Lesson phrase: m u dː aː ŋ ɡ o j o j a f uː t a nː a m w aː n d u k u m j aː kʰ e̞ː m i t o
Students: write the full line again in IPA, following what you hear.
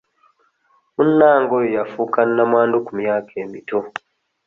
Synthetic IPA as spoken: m u nː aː ŋ ɡ o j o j a f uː k a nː a m w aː n d u k u m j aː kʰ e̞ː m i t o